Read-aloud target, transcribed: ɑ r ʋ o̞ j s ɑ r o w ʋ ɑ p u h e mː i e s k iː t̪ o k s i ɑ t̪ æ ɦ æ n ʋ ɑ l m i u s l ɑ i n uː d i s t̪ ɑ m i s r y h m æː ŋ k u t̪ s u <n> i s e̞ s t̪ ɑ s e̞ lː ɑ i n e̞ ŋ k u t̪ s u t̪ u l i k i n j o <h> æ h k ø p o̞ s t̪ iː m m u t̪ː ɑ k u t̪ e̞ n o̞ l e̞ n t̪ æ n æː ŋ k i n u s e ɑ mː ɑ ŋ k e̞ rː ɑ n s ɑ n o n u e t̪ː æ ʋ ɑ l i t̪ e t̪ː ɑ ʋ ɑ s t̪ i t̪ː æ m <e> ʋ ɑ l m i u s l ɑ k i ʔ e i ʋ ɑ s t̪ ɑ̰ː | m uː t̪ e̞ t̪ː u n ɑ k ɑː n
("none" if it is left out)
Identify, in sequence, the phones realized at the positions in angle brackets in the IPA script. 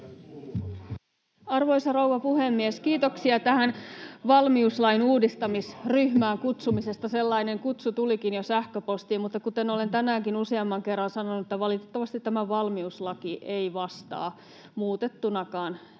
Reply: m, s, æ

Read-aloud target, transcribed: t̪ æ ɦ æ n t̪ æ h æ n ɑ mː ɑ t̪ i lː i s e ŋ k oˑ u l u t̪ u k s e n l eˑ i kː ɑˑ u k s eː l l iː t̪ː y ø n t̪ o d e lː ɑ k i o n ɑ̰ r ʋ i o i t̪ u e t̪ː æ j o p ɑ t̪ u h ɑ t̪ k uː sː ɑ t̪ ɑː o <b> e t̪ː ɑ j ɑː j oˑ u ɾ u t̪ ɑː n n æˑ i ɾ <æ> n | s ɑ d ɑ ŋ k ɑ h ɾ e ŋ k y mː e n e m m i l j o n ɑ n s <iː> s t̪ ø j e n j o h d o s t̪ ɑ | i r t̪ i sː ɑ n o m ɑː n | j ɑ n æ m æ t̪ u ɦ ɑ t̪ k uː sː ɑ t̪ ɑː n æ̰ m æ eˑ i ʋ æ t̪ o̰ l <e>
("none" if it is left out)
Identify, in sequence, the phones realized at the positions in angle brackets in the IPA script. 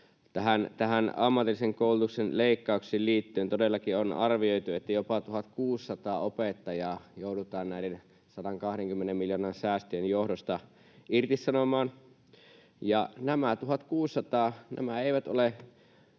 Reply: p, e, æː, e

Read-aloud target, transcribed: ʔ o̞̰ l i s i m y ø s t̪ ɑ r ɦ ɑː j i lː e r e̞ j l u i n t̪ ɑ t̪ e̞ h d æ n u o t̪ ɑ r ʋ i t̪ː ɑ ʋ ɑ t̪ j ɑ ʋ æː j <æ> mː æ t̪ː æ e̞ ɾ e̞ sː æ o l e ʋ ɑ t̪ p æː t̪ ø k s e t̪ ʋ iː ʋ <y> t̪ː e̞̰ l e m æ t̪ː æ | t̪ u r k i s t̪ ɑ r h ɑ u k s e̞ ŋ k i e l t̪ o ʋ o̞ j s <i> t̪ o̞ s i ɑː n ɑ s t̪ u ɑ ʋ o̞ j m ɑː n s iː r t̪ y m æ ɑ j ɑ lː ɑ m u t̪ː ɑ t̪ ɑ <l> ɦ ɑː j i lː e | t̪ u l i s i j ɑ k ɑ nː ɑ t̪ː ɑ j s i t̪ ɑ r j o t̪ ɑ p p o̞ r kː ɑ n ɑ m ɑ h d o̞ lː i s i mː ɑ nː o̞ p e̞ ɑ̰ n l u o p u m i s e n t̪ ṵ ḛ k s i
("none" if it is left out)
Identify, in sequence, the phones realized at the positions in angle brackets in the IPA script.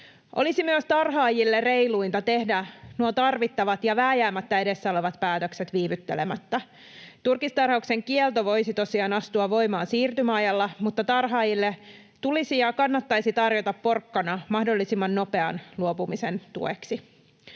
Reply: æː, y, i, r

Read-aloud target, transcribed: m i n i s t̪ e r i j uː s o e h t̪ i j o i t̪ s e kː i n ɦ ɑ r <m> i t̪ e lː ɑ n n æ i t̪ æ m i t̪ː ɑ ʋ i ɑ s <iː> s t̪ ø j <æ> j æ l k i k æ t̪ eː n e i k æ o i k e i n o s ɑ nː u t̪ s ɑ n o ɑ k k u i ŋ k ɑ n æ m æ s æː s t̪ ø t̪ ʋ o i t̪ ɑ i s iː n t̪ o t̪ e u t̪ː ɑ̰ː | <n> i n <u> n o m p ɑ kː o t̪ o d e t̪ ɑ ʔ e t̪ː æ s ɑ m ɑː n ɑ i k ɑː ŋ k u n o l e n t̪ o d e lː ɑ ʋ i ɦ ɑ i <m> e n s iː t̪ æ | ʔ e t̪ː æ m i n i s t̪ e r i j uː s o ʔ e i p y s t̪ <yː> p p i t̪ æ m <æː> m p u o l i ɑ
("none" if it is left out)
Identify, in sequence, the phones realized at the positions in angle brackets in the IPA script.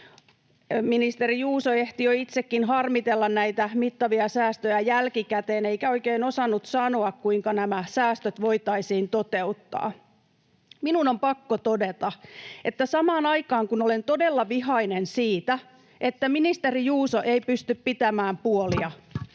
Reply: m, æː, æ, m, u, n, y, æː

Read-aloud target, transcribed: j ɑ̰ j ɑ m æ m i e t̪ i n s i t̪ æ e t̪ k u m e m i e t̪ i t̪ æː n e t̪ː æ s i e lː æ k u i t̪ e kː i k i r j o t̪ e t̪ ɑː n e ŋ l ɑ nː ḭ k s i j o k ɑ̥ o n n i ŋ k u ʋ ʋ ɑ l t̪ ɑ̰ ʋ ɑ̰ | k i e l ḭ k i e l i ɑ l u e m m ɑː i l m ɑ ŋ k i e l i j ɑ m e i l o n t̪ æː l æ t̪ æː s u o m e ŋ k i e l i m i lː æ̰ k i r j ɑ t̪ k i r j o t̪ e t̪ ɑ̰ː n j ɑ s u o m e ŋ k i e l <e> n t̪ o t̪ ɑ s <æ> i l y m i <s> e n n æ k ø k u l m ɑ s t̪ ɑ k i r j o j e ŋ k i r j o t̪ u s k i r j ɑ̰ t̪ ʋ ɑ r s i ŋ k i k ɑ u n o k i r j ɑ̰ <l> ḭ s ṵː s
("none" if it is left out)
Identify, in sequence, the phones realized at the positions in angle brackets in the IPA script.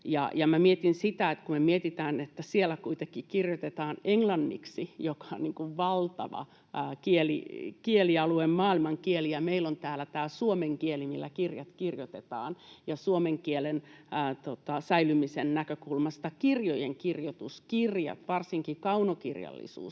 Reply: e, æ, s, lː

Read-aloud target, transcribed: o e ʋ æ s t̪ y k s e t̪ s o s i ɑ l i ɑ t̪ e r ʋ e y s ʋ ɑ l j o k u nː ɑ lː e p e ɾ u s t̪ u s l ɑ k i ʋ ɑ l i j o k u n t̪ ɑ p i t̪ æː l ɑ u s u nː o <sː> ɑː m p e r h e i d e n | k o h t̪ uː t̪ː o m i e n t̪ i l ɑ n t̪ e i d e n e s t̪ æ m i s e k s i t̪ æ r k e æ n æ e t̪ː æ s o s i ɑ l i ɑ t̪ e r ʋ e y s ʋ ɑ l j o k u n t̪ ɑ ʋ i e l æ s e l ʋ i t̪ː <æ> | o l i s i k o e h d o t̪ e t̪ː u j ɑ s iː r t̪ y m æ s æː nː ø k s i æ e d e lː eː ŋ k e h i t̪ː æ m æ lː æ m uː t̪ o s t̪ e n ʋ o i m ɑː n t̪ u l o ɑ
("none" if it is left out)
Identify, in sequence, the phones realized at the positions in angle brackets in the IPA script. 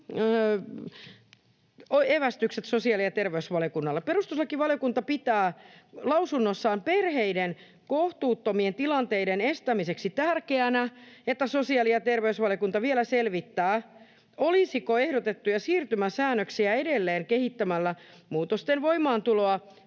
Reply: sː, æː

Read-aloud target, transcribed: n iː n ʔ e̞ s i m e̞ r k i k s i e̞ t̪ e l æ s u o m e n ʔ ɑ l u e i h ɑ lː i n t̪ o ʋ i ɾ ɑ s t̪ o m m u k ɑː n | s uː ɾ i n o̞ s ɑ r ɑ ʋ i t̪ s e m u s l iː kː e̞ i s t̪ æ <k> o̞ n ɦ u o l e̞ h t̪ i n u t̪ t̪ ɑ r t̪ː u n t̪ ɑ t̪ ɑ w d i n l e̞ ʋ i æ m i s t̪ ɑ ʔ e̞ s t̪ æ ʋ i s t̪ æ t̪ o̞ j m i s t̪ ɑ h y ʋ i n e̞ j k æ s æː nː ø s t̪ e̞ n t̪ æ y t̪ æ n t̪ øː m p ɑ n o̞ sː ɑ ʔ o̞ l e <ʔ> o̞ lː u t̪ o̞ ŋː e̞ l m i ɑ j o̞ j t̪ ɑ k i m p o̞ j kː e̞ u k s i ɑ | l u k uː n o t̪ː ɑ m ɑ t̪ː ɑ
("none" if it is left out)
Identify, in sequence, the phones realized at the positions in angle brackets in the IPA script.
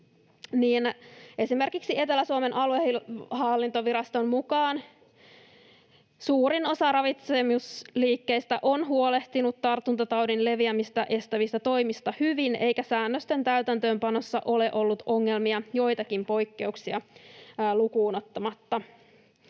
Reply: ʔ, ʔ

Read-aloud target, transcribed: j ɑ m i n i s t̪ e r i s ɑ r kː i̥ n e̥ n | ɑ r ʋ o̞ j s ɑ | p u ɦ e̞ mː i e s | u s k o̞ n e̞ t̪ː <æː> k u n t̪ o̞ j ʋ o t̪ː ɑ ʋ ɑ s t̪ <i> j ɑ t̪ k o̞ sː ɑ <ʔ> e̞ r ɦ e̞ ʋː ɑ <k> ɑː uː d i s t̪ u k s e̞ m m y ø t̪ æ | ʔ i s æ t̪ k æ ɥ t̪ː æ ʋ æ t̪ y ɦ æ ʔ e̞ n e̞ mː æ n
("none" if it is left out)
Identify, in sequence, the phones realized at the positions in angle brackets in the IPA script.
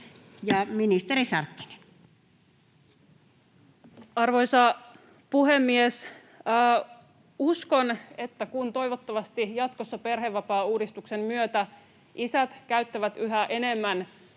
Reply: æ, i, p, p

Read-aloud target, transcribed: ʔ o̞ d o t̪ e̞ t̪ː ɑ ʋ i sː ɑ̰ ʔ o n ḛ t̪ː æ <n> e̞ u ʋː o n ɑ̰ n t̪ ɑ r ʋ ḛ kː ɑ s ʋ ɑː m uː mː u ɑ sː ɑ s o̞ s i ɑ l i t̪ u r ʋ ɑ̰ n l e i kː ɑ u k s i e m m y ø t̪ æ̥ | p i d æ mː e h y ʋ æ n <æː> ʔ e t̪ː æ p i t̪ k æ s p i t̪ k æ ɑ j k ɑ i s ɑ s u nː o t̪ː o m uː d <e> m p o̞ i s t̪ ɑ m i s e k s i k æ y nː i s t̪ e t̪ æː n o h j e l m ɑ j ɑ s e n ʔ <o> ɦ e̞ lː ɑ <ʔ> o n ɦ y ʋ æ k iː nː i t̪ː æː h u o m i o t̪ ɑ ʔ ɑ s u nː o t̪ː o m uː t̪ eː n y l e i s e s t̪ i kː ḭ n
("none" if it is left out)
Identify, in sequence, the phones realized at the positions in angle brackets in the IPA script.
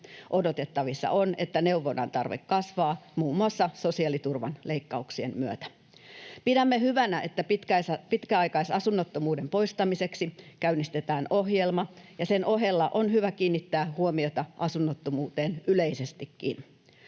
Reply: n, æ, e, o, ʔ

